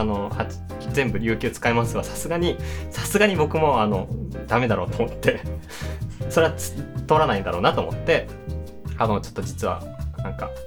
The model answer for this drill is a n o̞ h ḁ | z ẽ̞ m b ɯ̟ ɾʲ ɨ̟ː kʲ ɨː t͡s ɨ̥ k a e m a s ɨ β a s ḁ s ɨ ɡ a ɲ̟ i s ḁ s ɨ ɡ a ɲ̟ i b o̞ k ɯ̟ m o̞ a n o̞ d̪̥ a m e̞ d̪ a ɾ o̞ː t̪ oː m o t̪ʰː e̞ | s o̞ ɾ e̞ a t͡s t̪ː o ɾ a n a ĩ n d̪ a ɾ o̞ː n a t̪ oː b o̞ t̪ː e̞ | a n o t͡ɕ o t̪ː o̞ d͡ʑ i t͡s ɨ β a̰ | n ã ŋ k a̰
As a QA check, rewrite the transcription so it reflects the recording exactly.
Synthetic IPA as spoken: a n o̞ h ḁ | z ẽ̞ m b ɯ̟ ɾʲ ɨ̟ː kʲ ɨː t͡s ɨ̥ k a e m a s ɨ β a s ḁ s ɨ ɡ a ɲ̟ i s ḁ s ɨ ɡ a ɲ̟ i b o̞ k ɯ̟ m o̞ a n o̞ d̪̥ a m e̞ d̪ a ɾ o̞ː t̪ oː m o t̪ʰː e̞ | s o̞ ɾ e̞ a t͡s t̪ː o ɾ a n a ĩ n d̪ a ɾ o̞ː n a t̪ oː m o̞ t̪ː e̞ | a n o t͡ɕ o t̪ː o̞ d͡ʑ i t͡s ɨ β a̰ | n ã ŋ k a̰